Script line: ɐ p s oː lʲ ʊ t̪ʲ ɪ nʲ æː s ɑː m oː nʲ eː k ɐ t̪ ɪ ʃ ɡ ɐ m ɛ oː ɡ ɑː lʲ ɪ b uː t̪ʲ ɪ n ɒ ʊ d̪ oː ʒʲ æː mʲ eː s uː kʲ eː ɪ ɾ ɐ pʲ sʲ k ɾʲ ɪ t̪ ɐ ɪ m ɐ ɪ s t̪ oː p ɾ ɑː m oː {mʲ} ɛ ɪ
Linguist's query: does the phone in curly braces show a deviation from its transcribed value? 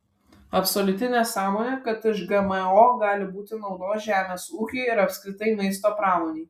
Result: yes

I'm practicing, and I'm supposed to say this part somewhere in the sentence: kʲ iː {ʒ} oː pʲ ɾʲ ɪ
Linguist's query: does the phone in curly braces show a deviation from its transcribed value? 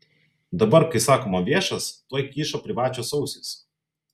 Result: yes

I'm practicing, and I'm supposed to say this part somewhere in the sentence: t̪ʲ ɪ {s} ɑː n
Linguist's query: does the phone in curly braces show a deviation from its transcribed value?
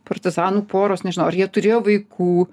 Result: yes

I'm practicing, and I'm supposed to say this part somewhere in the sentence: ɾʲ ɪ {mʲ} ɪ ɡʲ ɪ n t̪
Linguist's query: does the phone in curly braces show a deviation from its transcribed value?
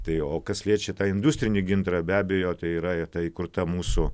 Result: yes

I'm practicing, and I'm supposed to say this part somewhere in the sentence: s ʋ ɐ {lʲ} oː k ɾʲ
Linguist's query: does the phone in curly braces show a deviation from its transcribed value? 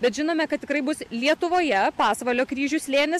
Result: no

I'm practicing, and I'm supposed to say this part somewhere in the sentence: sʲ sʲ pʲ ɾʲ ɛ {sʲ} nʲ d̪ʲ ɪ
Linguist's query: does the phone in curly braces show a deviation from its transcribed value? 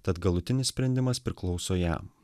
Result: yes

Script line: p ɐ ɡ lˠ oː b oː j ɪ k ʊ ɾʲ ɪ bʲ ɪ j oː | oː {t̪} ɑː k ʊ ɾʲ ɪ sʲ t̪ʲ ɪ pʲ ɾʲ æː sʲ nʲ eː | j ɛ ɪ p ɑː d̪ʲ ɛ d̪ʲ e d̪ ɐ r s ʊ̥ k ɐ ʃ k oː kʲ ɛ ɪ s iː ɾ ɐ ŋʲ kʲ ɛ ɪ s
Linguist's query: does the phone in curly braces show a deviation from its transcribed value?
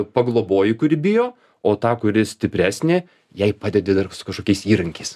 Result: no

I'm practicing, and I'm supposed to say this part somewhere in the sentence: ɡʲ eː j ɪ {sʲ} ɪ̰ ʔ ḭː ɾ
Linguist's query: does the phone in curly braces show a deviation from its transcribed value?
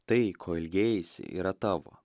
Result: no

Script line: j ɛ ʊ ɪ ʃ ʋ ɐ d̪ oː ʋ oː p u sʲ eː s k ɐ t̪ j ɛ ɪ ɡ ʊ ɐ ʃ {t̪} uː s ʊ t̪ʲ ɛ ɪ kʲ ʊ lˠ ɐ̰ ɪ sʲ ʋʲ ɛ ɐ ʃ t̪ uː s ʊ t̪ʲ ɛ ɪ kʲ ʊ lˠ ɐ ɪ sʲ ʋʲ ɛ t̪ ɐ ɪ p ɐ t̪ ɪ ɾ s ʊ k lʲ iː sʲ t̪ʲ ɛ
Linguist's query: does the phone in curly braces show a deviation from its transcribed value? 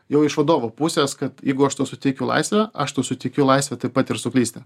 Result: no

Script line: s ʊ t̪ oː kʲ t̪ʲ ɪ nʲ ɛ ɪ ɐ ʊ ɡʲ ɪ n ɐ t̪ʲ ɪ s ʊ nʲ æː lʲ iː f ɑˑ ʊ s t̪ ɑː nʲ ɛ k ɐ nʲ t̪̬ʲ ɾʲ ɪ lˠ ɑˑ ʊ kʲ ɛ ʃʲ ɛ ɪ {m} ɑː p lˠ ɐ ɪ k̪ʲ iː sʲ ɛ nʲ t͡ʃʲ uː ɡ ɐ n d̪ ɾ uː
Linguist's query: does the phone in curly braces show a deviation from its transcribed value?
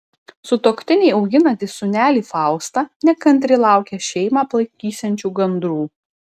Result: no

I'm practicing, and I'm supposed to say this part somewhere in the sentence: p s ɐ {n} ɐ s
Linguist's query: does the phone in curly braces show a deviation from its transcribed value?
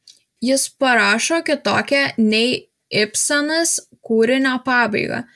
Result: no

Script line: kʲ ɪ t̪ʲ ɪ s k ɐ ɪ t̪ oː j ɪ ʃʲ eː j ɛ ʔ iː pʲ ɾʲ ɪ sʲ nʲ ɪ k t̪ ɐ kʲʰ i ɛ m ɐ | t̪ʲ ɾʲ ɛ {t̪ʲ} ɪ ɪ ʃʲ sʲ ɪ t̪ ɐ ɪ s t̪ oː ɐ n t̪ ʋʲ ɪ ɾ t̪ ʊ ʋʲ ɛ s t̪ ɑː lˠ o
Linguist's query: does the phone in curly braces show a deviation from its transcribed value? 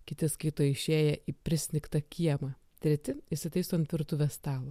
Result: no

